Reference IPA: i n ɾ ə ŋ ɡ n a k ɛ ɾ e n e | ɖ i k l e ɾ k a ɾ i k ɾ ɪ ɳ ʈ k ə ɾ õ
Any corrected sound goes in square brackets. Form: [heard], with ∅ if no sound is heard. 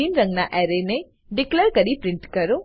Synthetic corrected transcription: i n ɾ ə ŋ ɡ n a [ʔ] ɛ ɾ e n e | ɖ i k l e ɾ k [ə] ɾ i [p] ɾ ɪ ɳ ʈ k ə ɾ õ